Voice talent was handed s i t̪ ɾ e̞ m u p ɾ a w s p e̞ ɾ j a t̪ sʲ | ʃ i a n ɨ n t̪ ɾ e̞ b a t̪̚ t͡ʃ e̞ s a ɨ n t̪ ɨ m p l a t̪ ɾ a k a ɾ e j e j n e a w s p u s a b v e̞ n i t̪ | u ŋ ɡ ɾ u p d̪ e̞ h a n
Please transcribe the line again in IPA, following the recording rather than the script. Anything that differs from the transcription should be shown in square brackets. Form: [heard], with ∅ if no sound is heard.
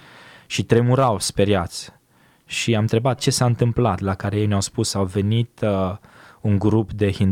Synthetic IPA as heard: [ʃ] i t̪ ɾ e̞ m u [∅] ɾ a w s p e̞ ɾ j a t̪ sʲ | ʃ i a [m] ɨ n t̪ ɾ e̞ b a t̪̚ t͡ʃ e̞ s a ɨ n t̪ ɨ m p l a t̪ [l] a k a ɾ e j e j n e a w s p u s a [w] v e̞ n i t̪ | u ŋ ɡ ɾ u p d̪ e̞ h [i] n